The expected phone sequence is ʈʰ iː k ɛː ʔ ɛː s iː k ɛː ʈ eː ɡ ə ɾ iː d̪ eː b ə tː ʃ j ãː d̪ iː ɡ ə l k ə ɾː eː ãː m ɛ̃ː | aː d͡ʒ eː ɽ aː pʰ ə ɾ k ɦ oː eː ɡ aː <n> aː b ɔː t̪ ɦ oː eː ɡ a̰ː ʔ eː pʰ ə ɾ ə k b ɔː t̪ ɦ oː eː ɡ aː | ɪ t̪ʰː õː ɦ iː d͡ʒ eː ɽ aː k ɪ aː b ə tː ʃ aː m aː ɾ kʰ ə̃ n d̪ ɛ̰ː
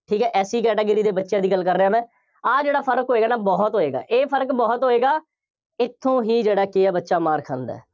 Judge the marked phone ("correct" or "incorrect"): correct